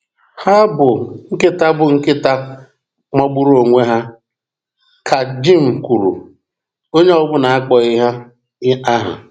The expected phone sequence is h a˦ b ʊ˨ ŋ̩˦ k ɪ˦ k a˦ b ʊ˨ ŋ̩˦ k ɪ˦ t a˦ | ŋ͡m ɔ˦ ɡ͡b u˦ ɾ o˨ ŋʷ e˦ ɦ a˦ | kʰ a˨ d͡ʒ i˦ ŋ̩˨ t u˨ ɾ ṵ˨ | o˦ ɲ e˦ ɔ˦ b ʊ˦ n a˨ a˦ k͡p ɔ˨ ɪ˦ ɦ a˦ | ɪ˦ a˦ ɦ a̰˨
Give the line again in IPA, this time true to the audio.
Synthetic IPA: h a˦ b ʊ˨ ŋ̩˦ k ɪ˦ t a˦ b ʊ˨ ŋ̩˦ k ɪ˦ t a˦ | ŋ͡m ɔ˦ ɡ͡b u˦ ɾ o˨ ŋʷ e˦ ɦ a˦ | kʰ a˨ d͡ʒ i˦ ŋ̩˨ k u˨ ɾ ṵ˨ | o˦ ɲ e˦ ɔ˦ b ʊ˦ n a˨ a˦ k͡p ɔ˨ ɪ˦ ɦ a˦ | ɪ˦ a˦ ɦ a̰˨